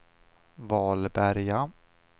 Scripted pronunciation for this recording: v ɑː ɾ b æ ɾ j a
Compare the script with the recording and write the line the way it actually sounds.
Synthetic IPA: v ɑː l b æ ɾ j a